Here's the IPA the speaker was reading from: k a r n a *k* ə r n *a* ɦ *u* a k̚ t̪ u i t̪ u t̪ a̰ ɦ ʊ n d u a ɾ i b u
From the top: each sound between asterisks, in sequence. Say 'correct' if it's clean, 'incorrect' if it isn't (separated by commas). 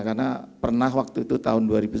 incorrect, correct, incorrect